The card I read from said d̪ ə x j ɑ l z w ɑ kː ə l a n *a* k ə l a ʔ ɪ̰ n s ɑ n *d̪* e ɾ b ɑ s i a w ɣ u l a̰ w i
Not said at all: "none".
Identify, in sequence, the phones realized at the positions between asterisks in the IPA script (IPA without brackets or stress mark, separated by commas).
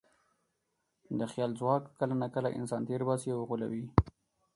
a, t̪